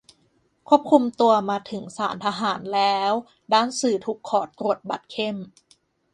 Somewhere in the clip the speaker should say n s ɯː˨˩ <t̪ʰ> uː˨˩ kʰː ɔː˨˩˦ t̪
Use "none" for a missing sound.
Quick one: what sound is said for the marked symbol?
t̪ʰ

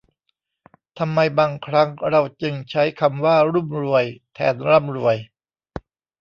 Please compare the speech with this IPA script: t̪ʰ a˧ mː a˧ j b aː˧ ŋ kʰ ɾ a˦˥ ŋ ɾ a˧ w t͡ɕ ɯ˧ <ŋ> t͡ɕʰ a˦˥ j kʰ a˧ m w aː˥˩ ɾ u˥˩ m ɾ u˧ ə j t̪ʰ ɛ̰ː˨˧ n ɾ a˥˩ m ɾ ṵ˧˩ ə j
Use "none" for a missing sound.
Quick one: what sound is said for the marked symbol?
ŋ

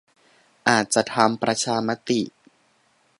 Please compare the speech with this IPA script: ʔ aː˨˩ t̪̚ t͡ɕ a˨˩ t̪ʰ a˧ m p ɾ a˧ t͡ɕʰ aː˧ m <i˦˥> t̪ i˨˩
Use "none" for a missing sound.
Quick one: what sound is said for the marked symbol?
a˦˥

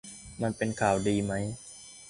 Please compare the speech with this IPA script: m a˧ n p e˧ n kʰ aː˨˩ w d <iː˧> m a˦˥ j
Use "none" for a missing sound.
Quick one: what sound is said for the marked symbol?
iː˧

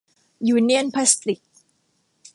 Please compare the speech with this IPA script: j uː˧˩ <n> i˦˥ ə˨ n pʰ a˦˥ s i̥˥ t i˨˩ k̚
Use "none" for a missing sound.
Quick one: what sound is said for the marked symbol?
n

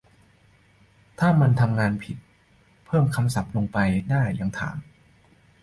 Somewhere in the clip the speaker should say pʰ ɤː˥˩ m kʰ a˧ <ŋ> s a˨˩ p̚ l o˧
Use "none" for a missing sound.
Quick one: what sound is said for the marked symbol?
m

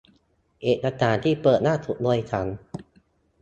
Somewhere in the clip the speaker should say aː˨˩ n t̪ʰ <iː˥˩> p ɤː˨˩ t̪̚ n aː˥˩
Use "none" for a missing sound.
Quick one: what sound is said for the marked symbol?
iː˥˩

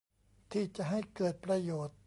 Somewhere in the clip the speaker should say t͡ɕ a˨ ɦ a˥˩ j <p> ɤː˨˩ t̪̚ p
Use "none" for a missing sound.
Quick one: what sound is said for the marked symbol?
k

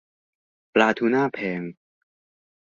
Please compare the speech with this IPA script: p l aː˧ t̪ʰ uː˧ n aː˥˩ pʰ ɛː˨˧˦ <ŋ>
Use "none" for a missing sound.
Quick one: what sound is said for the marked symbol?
ŋ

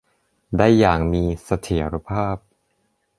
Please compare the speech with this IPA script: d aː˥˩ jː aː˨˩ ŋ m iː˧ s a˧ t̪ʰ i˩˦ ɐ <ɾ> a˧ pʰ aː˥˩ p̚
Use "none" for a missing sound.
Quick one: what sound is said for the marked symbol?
ɾ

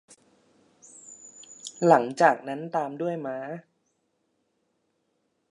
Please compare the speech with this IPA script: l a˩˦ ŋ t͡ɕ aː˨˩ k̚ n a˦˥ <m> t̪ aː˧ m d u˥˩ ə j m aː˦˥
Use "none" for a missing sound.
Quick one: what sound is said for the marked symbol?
n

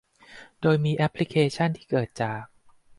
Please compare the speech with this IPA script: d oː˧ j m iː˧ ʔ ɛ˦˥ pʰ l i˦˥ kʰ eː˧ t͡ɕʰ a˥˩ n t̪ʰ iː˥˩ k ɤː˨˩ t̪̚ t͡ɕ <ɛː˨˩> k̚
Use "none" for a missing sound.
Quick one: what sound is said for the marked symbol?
aː˨˩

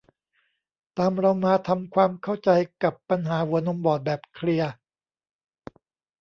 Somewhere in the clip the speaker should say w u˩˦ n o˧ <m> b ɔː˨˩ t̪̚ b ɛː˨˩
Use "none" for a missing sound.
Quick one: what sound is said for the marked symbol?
m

